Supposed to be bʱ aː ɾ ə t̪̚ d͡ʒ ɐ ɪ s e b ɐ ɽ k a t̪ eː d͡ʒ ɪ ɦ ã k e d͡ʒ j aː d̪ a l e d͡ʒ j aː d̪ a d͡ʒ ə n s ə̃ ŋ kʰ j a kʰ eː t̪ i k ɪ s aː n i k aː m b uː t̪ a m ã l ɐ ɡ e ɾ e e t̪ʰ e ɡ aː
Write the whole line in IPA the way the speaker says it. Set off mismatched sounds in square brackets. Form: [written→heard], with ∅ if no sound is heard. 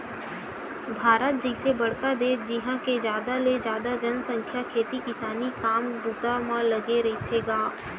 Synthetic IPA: bʱ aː ɾ ə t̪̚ d͡ʒ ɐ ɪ s e b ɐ ɽ k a [t̪→d̪] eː d͡ʒ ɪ ɦ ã k e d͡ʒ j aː d̪ a l e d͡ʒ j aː d̪ a d͡ʒ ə n s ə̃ ŋ kʰ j a kʰ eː t̪ i k ɪ s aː n i k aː m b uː t̪ a m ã l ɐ ɡ e ɾ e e t̪ʰ e ɡ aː

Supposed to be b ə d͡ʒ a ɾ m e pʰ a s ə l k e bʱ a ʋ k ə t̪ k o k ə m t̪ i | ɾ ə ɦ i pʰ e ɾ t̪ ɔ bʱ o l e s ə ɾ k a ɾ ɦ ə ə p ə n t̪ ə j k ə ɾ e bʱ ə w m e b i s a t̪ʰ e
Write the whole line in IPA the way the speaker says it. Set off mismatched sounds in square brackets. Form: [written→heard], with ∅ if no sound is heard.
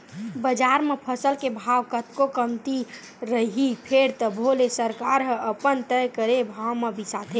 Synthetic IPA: b ə d͡ʒ a ɾ m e pʰ [a→ə] s ə l k e bʱ a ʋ k ə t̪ k o k ə m t̪ i | ɾ ə ɦ i pʰ e ɾ t̪ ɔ bʱ o l e s ə ɾ k a ɾ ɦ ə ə p ə n t̪ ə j k ə ɾ e bʱ [ə→a] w m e b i s a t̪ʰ e

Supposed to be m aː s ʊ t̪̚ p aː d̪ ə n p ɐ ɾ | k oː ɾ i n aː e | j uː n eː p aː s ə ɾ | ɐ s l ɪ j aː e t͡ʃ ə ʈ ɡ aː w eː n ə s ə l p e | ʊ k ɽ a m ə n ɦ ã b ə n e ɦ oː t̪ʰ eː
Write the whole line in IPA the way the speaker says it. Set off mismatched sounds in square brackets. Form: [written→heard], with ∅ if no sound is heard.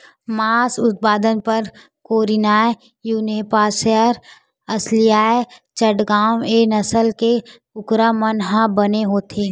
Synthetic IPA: m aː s ʊ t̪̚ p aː d̪ ə n p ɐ ɾ | k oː ɾ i n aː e | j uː n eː p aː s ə ɾ | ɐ s l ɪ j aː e t͡ʃ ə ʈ ɡ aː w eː n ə s ə l [p→k] e | ʊ k [ɽ→ɾ] a m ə n ɦ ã b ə n e ɦ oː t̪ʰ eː

